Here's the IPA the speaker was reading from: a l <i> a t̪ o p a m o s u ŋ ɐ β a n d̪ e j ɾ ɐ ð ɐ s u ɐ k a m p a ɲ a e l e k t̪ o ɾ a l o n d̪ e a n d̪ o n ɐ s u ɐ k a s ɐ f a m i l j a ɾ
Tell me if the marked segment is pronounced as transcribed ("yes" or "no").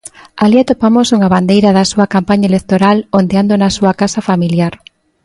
yes